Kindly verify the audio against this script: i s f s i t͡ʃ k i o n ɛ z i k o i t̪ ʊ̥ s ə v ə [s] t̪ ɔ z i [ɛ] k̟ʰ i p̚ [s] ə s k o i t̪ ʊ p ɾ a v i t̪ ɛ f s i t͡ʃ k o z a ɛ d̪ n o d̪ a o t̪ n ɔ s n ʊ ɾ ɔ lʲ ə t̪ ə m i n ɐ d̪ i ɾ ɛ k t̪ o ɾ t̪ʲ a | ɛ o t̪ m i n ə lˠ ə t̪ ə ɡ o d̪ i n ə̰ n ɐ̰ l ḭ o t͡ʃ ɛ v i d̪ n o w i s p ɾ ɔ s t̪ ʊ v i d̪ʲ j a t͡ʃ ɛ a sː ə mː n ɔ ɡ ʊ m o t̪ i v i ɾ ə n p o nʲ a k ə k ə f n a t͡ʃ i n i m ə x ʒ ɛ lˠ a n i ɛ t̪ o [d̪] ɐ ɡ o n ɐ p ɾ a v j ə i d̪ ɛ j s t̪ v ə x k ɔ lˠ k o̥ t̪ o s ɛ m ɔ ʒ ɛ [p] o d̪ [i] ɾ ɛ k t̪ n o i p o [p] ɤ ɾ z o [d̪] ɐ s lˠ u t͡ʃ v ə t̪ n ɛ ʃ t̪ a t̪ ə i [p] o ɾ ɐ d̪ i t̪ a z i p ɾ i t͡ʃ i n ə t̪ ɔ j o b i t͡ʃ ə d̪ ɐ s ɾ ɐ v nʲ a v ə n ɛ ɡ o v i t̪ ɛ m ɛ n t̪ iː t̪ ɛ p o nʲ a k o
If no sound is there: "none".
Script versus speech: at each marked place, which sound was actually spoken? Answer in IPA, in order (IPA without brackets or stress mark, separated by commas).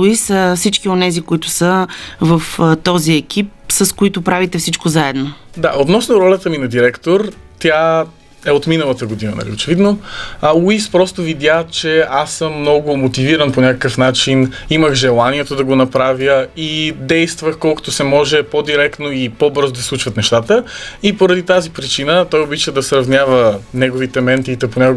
f, ɛ, s, d̪, p, i, b, d̪, p